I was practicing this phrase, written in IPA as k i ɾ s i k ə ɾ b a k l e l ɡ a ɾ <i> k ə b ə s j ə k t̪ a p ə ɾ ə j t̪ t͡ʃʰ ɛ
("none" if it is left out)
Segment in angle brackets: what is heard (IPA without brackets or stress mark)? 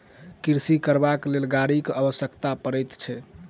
i